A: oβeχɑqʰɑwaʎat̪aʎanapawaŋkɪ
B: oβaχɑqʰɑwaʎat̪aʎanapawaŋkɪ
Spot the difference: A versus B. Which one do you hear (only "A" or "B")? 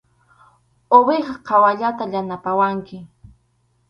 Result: A